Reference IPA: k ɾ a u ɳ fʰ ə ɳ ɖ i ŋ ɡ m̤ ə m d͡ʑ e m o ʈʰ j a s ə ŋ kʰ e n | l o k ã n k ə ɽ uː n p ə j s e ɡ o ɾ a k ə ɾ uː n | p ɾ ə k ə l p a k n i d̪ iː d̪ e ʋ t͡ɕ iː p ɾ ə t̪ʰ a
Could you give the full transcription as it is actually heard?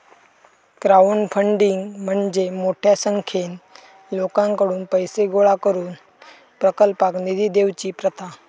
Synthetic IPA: k ɾ a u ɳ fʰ ə ɳ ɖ i ŋ ɡ m̤ ə ɳ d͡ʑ e m o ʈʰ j a s ə ŋ kʰ e n | l o k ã ŋ k ə ɽ uː n p ə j s e ɡ o ɭ a k ə ɾ uː n | p ɾ ə k ə l p a k n i d̪ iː d̪ e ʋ t͡ɕ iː p ɾ ə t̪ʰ a

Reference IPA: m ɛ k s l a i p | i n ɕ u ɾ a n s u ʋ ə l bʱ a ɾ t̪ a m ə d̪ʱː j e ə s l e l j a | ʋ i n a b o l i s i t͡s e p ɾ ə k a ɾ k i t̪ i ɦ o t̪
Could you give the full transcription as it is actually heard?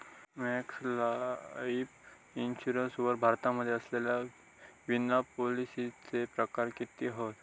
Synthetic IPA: m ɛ k s l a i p | i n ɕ u ɾ ə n s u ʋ ə ɾ bʱ a ɾ t̪ a m ə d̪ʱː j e ə s l e l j a | ʋ i n a p o l i s i t͡s e p ɾ ə k a ɾ k i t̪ i ɦ o t̪

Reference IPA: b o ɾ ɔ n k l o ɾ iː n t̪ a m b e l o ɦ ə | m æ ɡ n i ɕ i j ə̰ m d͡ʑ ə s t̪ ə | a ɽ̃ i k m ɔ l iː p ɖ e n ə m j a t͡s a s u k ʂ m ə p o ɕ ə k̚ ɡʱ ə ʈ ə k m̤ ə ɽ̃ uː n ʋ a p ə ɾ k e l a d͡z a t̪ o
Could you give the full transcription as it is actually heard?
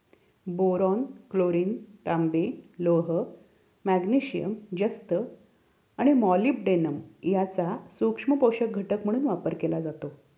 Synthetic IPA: b o ɾ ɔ n k l o ɾ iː n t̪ a m b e l o ɦ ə | m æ ɡ n i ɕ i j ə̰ m d͡ʑ ə s t̪ ə | a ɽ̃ i m ɔ l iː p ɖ e n ə m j a t͡s a s u k ʂ m ə p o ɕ ə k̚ ɡʱ ə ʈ ə k m̤ ə ɽ̃ uː n ʋ a p ə ɾ k e l a d͡z a t̪ o

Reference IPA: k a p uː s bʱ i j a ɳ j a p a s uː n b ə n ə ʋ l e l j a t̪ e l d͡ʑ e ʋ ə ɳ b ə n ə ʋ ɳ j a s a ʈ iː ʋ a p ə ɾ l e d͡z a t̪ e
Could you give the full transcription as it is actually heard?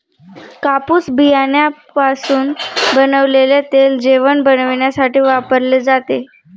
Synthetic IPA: k a p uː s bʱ i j a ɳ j a p a s uː n b ə n ə ʋ l e l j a t̪ e l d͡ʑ e ʋ ə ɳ b ə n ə ʋ ɳ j a s a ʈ iː ʋ a p ə ɾ l e d͡z a t̪ e

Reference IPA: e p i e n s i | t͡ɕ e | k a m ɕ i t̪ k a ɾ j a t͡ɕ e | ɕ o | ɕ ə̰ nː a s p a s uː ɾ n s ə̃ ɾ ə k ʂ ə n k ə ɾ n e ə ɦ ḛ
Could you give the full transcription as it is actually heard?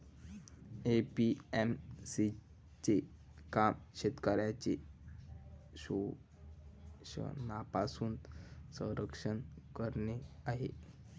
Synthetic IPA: e p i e m s i | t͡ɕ e | k a m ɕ e t̪ k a ɾ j a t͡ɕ e | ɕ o | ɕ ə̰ n a p a s uː n s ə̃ ɾ ə k ʂ ə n k ə ɾ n e a ɦ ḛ

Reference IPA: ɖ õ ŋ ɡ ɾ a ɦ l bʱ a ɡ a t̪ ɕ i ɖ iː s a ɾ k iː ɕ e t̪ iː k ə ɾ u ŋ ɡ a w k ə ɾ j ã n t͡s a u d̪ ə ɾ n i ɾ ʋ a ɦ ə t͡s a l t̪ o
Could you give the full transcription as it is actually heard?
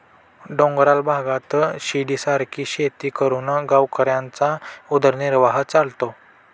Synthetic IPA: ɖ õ ŋ ɡ ɾ a l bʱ a ɡ a t̪ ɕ i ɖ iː s a ɾ k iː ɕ e t̪ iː k ə ɾ u n ɡ a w k ə ɾ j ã n t͡s a u d̪ ə ɾ n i ɾ ʋ a ɦ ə t͡s a l t̪ o

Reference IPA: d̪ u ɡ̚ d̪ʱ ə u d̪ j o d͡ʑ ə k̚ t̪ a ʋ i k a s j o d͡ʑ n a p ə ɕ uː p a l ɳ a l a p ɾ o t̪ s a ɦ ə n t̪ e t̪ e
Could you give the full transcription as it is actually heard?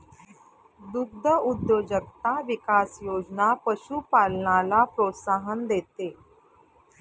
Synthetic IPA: d̪ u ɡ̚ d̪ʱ ə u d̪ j o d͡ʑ ə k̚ t̪ a ʋ i k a s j o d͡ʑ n a p ə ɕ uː p a l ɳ a l a p ɾ o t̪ s a ɦ ə n d̪ e t̪ e

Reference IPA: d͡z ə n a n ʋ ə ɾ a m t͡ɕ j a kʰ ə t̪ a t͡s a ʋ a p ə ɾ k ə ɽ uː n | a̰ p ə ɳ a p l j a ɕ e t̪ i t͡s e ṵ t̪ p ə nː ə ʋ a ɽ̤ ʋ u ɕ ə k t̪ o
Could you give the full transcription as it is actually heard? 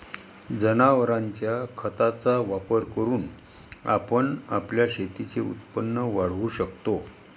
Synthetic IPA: d͡z ə n a ʋ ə ɾ a ɲ t͡ɕ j a kʰ ə t̪ a t͡s a ʋ a p ə ɾ k ə ɾ uː n | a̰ p ə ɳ a p l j a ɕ e t̪ i t͡s e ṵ t̪ p ə nː ə ʋ a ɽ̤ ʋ u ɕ ə k t̪ o

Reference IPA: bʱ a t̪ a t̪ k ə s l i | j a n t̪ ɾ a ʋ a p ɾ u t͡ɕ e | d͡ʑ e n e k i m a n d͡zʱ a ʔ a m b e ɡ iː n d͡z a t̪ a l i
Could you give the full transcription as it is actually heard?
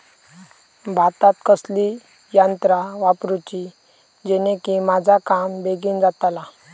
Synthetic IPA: bʱ a t̪ a t̪ k ə s l i | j a n t̪ ɾ a ʋ a p ɾ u t͡ɕ i | d͡ʑ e n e k i m a d͡zʱ a k a m b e ɡ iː n d͡z a t̪ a l a

